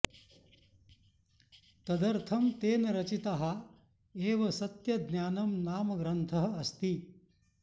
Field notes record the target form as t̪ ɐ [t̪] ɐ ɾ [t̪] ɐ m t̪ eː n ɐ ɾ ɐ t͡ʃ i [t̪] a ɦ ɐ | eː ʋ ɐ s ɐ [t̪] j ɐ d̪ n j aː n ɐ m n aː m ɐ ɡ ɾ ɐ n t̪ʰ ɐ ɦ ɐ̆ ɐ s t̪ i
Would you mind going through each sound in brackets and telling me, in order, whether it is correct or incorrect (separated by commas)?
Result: incorrect, incorrect, correct, correct